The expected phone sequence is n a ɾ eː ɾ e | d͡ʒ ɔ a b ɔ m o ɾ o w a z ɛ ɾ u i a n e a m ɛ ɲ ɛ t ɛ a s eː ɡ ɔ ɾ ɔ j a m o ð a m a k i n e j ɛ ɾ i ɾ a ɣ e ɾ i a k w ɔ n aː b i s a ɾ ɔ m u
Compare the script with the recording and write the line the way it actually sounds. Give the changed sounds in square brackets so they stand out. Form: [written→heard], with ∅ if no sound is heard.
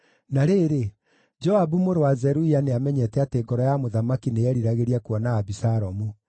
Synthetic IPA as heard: n a ɾ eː ɾ e | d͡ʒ ɔ a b [ɔ→u] m o ɾ o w a z ɛ ɾ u i a n e a m ɛ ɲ ɛ t ɛ a [s→t] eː ɡ ɔ ɾ ɔ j a m o ð a m a k i n e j ɛ ɾ i ɾ a ɣ e ɾ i a k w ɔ n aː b i s a ɾ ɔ m u

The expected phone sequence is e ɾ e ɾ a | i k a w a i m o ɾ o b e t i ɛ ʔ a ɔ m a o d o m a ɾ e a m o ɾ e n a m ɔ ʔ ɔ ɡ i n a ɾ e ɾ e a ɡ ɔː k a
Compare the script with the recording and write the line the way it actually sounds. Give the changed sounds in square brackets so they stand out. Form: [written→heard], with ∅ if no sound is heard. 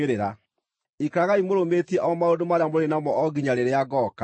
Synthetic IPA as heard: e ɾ e ɾ a | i k a [w→ɣ] a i m o ɾ o [b→m] e t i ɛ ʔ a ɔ m a o d o m a ɾ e a m o ɾ e n a m ɔ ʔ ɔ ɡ i [n→ɲ] a ɾ e ɾ e a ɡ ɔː k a

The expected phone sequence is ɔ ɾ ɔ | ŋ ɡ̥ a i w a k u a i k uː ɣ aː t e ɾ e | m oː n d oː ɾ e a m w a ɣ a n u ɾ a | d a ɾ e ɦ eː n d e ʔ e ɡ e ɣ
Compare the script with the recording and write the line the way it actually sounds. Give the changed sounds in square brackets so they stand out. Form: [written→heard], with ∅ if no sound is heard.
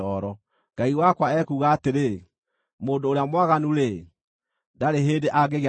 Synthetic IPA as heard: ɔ ɾ ɔ | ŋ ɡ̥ a i w a k [u→w] a [i→ɛ] k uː ɣ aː t e ɾ e | m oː n d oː ɾ e a m w a ɣ a n u ɾ [a→e] | d a ɾ e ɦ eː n d e ʔ [e→a] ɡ e ɣ

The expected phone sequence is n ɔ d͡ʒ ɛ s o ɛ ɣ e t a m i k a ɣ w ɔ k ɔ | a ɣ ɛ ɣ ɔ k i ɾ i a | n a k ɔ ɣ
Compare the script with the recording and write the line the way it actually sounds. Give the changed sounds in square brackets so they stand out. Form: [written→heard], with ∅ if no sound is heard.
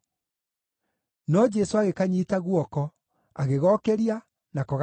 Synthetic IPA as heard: n ɔ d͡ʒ ɛ s o [ɛ→a] ɣ e [t→k] a [m→ɲ] i [k→t] a ɣ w ɔ k ɔ | a ɣ [ɛ→e] ɣ ɔ k [i→ɛ] ɾ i a | n a k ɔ ɣ

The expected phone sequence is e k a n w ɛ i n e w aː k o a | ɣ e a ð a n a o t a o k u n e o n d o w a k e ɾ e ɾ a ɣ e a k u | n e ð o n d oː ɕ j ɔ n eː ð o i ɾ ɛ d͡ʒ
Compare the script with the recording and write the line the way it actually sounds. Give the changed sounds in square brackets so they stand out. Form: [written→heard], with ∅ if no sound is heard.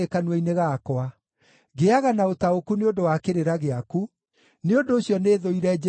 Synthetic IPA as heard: e k a n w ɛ i n e [w→ɣ] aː k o a | ɣ e a [ð→ɣ] a n a o t a o k u n e o n d o w a k e ɾ e ɾ a ɣ e a k u | n e [ð→∅] o n d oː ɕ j ɔ n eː ð o i ɾ ɛ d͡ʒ

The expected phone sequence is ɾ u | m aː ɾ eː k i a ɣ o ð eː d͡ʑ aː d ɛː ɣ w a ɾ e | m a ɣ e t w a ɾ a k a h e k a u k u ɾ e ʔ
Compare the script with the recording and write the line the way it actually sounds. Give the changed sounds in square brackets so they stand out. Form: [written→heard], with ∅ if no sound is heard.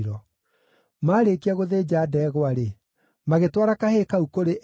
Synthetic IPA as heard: ɾ [u→ɔ] | m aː ɾ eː k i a ɣ o ð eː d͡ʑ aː d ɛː ɣ w a ɾ e | m a ɣ e t w a ɾ a k a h e k a u k [u→o] ɾ e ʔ

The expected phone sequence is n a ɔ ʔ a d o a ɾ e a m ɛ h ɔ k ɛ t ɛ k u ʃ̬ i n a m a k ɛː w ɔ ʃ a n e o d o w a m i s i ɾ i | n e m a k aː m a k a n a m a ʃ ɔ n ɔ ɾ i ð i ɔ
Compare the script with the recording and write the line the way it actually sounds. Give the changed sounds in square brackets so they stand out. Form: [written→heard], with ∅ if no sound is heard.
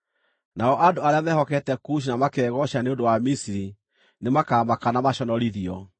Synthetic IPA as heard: n a ɔ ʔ a d o a ɾ e a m ɛ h ɔ k ɛ t ɛ k u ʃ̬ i n a m a k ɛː [w→ɣ] ɔ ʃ a n e o d o w a m i s i ɾ i | n e m a k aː m a k a n a m a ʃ ɔ n ɔ ɾ i ð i ɔ

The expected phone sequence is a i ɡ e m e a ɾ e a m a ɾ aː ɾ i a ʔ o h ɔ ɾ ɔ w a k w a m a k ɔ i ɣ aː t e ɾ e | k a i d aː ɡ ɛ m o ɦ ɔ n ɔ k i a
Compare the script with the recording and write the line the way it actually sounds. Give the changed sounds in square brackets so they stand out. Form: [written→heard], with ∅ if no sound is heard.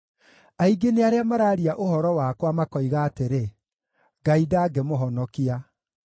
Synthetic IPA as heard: a i ɡ e [m→n] e a ɾ e a m a ɾ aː ɾ i a ʔ o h ɔ ɾ ɔ w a k w a m a k ɔ i ɣ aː t e ɾ e | [k→ɡ] a i d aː ɡ ɛ m o ɦ ɔ n ɔ k i a

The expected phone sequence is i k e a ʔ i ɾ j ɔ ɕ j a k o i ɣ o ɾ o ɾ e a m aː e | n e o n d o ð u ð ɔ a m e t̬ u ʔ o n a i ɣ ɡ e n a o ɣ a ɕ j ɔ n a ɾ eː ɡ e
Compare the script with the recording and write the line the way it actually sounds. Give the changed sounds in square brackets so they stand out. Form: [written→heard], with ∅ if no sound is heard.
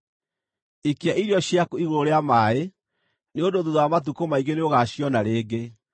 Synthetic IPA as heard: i k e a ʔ i ɾ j ɔ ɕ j a k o i ɣ o ɾ o ɾ e a m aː e | n e o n d o ð u ð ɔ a m [e→a] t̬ u [ʔ→k] o [n→m] a i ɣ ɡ e n [a→e] o ɣ a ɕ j ɔ n a ɾ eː ɡ e

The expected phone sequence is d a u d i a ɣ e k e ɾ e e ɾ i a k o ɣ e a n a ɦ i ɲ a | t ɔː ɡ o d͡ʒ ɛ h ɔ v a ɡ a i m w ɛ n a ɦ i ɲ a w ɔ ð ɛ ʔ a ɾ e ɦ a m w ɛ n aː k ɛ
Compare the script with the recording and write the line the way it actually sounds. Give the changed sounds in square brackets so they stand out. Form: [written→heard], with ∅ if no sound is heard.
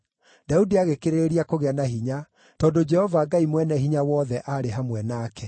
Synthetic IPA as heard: d a u d i a ɣ e k e ɾ e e ɾ i a k o ɣ e a n a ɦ i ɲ a | t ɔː [ɡ→d] o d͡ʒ ɛ h ɔ v a ɡ a i m w ɛ n [a→ɛ] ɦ i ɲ a w ɔ ð ɛ ʔ a ɾ e ɦ a m w ɛ n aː k ɛ

